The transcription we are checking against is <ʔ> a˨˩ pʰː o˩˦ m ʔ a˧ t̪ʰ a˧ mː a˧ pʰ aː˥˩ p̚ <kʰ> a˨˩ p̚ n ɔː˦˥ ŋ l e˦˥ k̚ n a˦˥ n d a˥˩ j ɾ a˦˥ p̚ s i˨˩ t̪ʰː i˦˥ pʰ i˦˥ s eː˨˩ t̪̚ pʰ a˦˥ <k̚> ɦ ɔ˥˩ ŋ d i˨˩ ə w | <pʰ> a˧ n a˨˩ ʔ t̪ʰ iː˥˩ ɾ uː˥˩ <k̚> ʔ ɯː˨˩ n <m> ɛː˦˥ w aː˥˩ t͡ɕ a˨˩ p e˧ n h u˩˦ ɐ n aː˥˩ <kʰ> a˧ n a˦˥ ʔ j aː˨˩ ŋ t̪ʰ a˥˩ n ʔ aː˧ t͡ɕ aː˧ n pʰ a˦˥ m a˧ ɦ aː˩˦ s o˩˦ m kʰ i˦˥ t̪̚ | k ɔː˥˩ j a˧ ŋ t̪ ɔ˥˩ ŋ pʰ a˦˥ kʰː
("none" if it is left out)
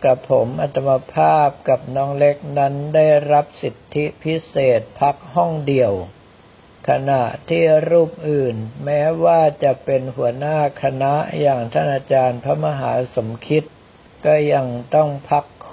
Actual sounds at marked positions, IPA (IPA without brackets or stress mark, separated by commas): k, k, k̚, kʰ, p̚, m, kʰ